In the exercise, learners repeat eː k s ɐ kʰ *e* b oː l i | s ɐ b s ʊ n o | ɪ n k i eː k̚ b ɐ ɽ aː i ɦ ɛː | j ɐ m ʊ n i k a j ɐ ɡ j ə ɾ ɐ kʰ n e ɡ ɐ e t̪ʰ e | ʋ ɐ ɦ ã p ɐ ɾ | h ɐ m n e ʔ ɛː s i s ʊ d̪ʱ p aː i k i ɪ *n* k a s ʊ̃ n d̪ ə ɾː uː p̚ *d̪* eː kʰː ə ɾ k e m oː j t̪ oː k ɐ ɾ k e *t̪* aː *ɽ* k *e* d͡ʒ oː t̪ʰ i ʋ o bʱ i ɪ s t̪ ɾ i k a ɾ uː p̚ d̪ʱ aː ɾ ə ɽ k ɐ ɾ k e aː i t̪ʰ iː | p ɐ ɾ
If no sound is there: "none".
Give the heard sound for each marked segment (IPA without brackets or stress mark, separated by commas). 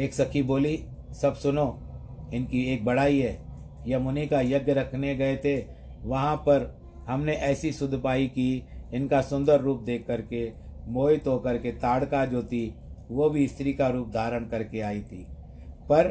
i, n, d̪, t̪, ɽ, a